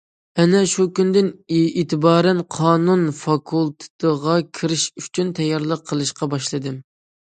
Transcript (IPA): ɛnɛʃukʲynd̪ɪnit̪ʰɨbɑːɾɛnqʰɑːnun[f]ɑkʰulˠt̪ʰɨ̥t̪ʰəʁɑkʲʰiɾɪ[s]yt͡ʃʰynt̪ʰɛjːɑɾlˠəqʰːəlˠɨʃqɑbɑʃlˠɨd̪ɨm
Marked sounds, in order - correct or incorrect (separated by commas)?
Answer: correct, incorrect